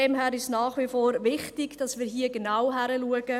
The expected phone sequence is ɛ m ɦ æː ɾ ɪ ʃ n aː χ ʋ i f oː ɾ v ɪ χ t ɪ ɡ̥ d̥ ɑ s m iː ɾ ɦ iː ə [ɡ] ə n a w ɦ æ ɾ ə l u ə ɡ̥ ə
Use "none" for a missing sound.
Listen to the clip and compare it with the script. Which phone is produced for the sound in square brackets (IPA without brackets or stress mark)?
ɡ